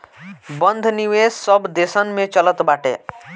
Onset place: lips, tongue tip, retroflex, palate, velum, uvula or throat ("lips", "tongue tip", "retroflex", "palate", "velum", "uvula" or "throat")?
lips